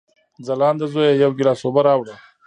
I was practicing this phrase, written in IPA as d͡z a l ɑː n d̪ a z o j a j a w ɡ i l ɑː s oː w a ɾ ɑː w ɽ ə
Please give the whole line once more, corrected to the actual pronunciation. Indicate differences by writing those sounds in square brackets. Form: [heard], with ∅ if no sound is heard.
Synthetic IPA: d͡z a l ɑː n d̪ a z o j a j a w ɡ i l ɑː s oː [b] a ɾ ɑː w ɽ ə